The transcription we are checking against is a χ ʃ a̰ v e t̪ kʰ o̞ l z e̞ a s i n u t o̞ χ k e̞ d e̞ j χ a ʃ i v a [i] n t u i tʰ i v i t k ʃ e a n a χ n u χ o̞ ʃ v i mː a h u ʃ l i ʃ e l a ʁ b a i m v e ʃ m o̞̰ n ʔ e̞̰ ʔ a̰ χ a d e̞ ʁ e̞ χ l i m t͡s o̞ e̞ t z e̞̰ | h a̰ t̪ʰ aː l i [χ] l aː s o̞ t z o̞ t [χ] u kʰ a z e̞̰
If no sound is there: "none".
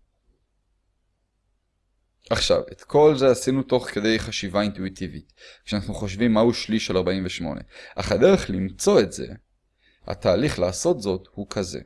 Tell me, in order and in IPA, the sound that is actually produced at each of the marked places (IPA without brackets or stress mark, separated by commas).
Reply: i, χ, h